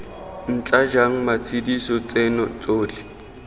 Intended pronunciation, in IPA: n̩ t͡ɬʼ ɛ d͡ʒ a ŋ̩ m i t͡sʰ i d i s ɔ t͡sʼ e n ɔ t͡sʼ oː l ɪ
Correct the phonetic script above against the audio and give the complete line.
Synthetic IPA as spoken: n̩ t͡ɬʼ a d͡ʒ a ŋ̩ m a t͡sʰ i d i s ɔ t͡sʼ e n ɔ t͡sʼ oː l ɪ